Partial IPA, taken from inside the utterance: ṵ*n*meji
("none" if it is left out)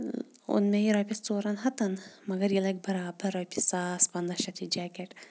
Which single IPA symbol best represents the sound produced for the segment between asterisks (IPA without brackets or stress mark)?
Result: n